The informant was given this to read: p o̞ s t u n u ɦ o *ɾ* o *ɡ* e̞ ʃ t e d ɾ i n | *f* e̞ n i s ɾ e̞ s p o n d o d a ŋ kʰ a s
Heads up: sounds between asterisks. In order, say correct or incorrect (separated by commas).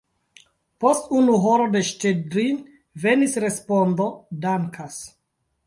correct, incorrect, incorrect